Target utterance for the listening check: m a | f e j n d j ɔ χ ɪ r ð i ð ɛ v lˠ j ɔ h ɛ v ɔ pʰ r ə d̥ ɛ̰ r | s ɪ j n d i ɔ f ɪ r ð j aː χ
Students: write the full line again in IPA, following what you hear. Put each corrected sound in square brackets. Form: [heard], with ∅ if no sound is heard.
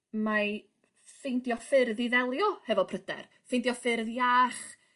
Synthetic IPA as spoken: m a | f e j n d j ɔ [f] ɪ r ð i ð ɛ [∅] lˠ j ɔ h ɛ v ɔ pʰ r ə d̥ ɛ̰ r | [f] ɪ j n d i ɔ f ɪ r ð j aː χ